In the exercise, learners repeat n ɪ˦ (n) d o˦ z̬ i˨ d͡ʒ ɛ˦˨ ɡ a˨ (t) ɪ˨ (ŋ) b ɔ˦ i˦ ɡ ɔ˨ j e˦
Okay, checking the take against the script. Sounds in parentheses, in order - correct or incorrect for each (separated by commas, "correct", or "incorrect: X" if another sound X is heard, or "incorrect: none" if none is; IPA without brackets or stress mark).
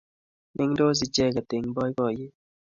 incorrect: ŋ, correct, correct